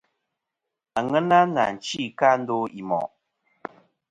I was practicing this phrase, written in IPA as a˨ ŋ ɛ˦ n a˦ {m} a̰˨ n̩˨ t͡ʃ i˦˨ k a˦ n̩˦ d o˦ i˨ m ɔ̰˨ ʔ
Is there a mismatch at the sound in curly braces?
yes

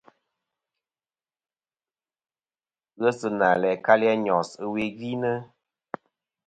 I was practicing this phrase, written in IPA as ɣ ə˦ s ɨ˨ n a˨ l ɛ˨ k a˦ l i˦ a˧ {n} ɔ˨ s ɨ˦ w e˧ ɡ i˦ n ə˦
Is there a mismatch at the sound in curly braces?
yes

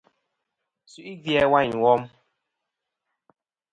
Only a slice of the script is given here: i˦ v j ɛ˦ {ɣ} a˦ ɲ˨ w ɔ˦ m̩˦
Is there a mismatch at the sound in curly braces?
yes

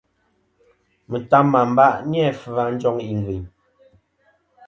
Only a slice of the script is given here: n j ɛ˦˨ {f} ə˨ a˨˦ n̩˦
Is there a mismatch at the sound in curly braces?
no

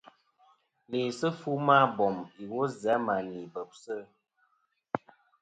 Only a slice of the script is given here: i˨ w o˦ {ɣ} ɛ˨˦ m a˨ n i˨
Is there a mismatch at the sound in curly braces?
yes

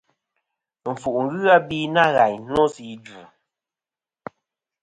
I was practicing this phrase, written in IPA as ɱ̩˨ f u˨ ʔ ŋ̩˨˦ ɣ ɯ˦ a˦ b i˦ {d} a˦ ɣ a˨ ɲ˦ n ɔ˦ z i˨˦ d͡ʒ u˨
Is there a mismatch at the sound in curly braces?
yes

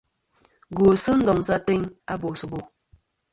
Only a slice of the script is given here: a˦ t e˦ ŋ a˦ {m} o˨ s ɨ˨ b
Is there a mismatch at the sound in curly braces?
yes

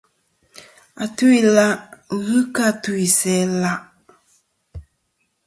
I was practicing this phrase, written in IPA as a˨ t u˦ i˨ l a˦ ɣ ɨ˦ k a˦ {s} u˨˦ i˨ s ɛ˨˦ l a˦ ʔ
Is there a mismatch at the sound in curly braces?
yes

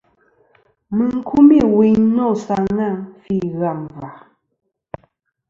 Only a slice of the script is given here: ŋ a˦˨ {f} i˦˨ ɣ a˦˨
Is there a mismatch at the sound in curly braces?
no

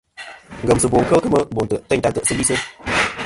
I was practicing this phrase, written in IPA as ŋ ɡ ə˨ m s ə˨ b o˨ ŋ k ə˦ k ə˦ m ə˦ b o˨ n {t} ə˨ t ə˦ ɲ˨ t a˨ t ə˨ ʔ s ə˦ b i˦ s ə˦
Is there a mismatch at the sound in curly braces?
no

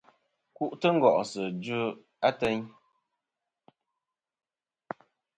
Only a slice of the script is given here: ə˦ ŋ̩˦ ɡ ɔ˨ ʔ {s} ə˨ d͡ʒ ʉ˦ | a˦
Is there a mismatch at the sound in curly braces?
no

